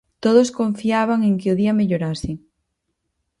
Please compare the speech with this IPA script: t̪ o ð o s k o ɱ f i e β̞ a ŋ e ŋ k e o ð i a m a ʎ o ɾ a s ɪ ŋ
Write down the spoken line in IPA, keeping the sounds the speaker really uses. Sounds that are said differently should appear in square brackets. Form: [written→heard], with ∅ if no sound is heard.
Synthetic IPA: t̪ o ð o s k o ɱ f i [e→a] β̞ a ŋ e ŋ k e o ð i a m [a→e] ʎ o ɾ a s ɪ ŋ